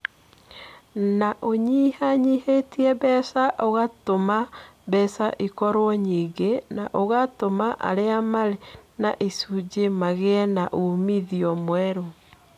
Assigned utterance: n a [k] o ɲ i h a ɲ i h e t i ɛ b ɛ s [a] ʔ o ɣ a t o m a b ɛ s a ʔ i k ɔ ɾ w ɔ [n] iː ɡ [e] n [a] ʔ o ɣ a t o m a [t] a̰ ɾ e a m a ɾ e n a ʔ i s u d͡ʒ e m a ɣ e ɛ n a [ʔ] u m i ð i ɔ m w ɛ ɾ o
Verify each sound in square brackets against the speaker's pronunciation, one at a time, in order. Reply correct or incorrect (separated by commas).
incorrect, correct, incorrect, correct, correct, incorrect, correct